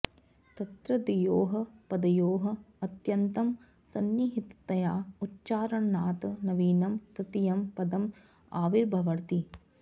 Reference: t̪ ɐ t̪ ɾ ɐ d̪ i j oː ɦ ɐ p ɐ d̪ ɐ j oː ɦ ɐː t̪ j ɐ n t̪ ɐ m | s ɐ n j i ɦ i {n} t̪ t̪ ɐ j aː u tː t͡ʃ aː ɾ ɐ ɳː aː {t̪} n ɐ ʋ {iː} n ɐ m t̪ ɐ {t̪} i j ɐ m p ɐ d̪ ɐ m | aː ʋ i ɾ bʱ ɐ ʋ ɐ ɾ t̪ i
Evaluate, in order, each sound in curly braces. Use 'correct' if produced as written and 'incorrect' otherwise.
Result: incorrect: none, correct, correct, correct

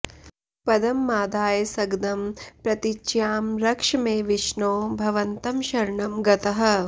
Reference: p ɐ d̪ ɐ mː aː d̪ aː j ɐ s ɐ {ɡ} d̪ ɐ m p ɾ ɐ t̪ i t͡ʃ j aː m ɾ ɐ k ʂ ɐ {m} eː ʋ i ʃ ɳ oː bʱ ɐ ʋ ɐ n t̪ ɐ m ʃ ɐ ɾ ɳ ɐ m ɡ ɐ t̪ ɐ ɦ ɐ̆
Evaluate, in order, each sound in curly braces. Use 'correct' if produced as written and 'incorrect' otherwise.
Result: correct, correct

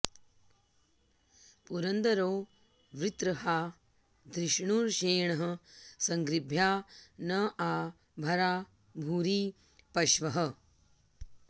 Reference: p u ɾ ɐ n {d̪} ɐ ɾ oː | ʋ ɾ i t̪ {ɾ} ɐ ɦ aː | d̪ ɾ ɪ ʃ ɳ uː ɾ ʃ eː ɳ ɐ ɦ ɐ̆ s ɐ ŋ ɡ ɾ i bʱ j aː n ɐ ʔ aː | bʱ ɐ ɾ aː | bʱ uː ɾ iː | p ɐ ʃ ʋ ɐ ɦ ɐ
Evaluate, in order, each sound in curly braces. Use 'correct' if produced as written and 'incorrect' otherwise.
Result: correct, correct

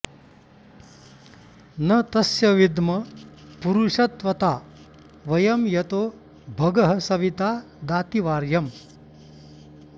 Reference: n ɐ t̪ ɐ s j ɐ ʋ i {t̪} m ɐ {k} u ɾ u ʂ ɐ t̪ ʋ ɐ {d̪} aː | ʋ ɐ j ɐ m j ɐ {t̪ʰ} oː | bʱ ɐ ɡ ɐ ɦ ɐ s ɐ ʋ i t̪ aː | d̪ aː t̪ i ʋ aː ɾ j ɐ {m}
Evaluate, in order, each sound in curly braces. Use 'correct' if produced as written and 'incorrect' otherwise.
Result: incorrect: d̪, incorrect: p, incorrect: t̪, incorrect: t̪, correct

